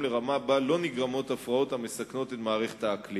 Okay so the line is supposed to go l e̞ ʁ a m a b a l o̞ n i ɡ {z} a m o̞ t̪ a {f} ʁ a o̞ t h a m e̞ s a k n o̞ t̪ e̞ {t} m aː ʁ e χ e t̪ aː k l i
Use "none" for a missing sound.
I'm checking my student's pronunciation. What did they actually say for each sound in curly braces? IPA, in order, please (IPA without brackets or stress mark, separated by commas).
ʁ, f, t